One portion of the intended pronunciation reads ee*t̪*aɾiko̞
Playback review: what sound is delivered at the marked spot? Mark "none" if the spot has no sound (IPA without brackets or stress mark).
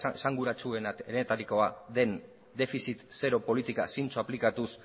t̪